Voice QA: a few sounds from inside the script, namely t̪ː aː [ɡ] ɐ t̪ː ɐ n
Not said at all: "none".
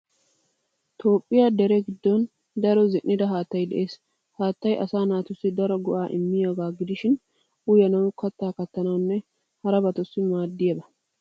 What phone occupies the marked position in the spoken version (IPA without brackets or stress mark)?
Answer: k